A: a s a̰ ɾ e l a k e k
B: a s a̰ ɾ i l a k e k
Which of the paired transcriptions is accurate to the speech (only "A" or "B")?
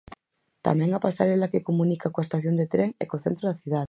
A